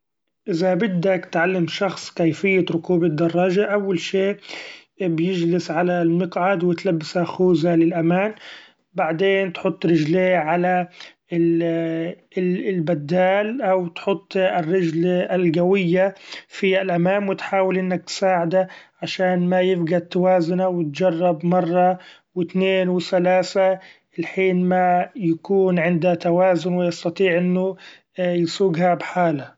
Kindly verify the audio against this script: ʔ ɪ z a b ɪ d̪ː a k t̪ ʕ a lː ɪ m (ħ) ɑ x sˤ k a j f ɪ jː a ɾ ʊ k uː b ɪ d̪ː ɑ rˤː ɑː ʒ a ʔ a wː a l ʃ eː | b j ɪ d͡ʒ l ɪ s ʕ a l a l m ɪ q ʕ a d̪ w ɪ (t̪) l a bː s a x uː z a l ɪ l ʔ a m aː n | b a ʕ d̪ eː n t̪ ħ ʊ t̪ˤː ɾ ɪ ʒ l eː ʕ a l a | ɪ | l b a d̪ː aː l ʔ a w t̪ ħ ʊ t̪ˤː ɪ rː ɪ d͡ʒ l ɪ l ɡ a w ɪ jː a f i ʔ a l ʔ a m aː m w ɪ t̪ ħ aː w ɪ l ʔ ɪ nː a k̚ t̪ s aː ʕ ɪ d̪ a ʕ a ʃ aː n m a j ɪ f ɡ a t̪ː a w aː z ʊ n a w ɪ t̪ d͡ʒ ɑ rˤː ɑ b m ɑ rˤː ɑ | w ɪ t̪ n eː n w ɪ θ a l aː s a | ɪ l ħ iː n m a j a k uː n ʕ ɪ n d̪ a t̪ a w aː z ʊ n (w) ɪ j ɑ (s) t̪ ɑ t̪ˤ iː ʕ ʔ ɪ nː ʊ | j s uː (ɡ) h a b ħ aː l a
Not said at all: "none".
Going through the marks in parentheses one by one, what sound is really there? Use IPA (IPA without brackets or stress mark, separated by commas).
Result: ʃ, t̪, w, s, ɡ